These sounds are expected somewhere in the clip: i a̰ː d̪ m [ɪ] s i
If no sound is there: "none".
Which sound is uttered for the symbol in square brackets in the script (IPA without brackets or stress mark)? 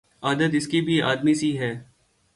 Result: i